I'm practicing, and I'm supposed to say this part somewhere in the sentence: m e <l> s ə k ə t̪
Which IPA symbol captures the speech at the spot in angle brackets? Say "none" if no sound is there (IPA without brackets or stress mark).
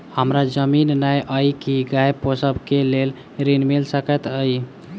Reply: l